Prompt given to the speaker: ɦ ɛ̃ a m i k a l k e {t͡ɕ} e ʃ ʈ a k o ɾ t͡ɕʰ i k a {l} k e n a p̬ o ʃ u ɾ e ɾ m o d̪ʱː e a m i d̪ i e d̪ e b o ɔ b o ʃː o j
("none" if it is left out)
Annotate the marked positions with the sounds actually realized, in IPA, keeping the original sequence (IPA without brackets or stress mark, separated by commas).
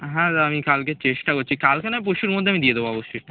t͡ɕ, l